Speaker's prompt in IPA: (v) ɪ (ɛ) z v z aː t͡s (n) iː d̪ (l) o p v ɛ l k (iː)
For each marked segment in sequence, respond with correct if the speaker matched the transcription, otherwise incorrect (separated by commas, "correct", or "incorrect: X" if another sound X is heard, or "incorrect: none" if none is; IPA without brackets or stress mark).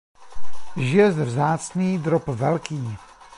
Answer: incorrect: ʒ, correct, correct, incorrect: ɾ, correct